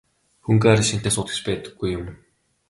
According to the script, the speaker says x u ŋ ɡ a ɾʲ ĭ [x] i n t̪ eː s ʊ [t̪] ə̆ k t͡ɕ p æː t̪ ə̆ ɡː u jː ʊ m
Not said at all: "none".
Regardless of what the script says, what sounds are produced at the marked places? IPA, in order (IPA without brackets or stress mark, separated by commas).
ʃ, t̪